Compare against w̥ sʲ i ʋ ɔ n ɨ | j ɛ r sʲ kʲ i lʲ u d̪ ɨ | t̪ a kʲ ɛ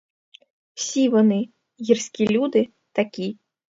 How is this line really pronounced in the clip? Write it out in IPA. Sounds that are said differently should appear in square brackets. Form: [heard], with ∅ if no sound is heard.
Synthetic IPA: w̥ sʲ i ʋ ɔ n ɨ | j [i] r sʲ kʲ i lʲ u d̪ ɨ | t̪ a kʲ [i]